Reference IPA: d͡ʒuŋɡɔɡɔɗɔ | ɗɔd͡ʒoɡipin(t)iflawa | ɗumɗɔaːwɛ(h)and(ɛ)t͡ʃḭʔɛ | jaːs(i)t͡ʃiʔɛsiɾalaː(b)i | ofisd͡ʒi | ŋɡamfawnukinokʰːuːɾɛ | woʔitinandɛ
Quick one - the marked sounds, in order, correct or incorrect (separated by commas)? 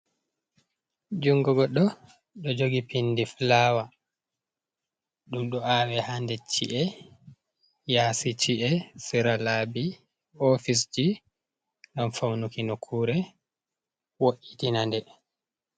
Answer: incorrect, correct, correct, correct, correct